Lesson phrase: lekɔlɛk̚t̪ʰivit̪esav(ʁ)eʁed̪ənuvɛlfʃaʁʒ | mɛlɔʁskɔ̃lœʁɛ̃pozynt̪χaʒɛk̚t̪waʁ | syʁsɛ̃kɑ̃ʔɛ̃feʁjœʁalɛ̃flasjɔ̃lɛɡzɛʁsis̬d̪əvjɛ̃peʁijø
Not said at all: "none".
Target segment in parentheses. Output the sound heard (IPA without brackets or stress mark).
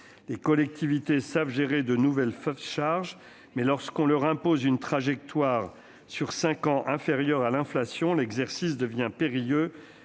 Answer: ʒ